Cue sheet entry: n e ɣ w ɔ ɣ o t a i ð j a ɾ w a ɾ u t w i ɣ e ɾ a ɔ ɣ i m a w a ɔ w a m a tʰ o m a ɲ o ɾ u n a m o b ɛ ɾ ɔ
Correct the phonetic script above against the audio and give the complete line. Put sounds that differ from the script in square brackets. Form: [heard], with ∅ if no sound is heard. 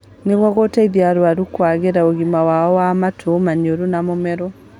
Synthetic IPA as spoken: n e ɣ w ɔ ɣ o t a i ð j a ɾ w a ɾ u [k] w [a] ɣ e ɾ a [o] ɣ i m a w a ɔ w a m a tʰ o m a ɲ o ɾ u n a m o [m] ɛ ɾ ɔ